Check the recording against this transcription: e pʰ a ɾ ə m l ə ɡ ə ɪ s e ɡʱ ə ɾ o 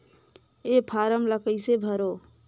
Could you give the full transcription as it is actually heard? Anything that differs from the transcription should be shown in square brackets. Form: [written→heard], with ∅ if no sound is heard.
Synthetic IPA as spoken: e pʰ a ɾ ə m l ə [ɡ→k] ə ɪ s e [ɡʱ→bʱ] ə ɾ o